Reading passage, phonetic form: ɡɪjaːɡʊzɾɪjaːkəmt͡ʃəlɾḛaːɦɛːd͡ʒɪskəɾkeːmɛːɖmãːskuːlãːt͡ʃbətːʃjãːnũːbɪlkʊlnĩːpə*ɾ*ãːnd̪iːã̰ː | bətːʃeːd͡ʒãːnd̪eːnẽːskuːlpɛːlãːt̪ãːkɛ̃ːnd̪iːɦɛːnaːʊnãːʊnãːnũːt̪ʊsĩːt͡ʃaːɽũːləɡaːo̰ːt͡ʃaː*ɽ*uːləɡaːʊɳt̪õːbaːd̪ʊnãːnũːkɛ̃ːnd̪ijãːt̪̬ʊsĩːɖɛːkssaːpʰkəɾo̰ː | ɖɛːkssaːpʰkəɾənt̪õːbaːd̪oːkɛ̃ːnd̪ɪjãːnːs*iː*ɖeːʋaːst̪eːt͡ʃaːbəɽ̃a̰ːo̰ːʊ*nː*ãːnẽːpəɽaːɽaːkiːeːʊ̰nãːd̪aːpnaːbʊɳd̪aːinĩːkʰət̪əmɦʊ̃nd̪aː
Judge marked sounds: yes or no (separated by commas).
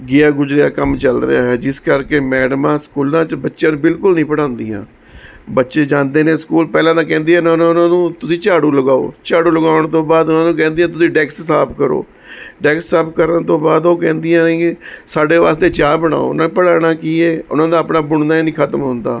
no, yes, no, no